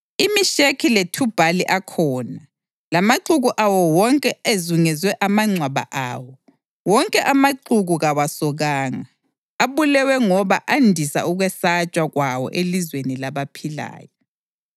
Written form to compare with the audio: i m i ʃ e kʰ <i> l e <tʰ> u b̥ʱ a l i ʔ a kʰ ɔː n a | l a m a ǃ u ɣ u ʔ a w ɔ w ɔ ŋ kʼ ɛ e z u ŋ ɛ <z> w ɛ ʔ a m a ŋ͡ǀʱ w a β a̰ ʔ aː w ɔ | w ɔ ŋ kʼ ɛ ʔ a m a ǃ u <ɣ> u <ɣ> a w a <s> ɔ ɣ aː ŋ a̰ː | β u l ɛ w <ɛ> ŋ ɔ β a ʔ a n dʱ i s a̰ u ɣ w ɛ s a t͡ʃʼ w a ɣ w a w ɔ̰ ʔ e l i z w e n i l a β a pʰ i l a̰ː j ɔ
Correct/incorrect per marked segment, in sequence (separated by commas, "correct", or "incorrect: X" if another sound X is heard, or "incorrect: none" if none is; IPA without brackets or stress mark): correct, correct, correct, correct, correct, correct, correct